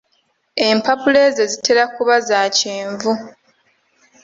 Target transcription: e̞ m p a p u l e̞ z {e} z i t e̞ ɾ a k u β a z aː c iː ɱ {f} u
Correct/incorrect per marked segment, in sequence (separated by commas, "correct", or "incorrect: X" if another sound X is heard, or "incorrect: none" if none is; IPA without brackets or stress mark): correct, incorrect: v